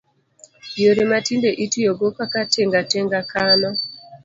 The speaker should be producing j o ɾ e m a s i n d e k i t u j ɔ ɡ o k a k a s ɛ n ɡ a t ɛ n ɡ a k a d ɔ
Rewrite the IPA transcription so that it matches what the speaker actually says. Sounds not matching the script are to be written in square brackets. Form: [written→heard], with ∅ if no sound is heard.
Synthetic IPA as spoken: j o ɾ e m a [s→t] i n d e [k→ʔ] i t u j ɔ ɡ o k a k a [s→t] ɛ [n→ŋ] ɡ a t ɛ [n→ŋ] ɡ a k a [d→n] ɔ